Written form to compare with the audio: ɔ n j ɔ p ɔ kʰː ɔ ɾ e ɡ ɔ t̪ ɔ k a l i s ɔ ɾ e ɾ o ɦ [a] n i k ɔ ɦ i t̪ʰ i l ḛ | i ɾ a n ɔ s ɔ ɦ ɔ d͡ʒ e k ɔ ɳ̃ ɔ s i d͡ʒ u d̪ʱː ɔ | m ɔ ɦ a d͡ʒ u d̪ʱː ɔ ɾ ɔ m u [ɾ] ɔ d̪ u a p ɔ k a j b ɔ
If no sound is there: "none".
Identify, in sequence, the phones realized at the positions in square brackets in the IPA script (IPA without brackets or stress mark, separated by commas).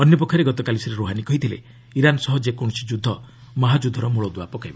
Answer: a, ɭ